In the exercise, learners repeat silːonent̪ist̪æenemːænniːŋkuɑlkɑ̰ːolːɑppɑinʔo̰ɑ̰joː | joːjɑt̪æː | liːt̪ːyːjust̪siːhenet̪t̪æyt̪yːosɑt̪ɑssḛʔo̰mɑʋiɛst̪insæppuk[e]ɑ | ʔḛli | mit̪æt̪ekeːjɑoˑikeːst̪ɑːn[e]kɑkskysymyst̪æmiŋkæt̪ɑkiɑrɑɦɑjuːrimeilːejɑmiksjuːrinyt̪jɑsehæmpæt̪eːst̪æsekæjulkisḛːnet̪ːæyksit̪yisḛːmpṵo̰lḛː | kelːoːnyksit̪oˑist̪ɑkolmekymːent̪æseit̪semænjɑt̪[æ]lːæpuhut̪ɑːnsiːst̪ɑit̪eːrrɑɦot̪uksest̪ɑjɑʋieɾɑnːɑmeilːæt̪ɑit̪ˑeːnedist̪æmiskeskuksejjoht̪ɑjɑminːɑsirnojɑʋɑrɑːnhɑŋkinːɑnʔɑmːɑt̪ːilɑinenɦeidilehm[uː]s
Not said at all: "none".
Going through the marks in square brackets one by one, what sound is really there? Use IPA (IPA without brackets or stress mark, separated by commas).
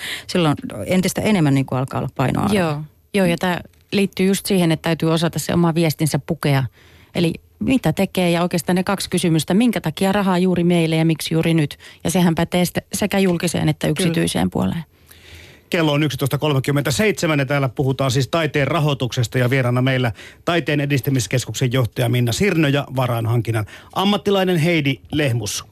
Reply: e, e, æː, u